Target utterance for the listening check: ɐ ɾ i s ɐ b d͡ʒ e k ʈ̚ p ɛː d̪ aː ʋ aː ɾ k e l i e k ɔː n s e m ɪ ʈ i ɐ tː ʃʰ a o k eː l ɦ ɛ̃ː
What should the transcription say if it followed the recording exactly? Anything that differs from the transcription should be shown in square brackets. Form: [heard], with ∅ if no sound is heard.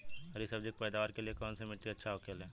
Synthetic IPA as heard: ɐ ɾ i s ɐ b d͡ʒ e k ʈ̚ p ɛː d̪ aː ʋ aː ɾ k e l i e k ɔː n s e m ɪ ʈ i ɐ tː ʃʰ a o k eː l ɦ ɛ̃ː